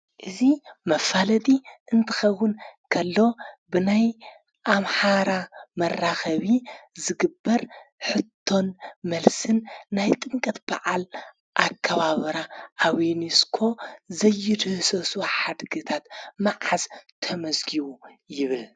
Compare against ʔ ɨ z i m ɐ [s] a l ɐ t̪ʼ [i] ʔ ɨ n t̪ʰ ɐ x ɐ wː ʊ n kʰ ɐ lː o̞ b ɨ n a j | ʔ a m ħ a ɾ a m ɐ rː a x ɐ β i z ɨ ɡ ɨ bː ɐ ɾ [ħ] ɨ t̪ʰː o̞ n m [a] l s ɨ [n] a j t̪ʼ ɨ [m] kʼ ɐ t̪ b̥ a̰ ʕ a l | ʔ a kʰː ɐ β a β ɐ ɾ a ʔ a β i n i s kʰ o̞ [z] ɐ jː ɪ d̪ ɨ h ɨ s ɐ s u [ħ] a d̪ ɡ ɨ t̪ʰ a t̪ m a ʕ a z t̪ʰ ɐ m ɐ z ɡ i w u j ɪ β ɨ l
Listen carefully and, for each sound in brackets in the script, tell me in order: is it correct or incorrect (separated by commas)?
incorrect, correct, correct, incorrect, incorrect, incorrect, correct, correct